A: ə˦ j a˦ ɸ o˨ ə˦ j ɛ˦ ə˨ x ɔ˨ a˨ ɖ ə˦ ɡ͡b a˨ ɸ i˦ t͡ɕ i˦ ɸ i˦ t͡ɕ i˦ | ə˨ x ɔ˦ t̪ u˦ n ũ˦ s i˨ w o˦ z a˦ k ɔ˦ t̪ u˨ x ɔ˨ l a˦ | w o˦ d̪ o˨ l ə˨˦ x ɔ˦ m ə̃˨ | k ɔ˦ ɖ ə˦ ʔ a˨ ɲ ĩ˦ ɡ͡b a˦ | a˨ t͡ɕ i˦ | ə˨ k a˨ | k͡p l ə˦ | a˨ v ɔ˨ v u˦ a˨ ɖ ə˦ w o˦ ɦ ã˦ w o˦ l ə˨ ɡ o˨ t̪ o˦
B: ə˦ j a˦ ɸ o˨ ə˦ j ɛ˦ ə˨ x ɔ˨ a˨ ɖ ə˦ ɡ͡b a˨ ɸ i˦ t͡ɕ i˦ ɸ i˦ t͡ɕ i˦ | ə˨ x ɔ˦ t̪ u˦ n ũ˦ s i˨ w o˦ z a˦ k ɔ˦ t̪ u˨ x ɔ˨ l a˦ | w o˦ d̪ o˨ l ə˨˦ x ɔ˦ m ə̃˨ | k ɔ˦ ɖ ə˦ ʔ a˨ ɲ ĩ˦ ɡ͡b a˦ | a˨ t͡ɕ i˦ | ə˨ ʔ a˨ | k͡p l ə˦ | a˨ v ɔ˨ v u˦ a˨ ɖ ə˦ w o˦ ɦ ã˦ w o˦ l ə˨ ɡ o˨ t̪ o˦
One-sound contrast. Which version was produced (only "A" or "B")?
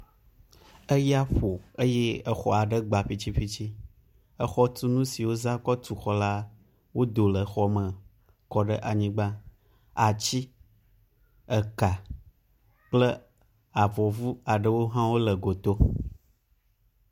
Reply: A